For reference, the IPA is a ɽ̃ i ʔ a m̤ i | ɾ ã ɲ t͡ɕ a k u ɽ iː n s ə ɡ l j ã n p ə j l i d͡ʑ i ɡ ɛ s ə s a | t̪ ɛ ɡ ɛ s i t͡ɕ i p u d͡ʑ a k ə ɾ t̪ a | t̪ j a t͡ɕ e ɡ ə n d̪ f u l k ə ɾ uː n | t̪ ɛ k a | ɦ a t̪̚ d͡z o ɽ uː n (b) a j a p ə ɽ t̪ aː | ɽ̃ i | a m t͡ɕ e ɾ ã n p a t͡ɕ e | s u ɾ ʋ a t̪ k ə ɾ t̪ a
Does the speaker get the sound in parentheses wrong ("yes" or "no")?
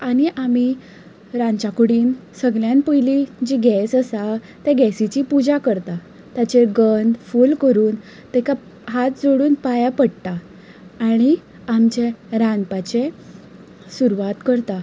yes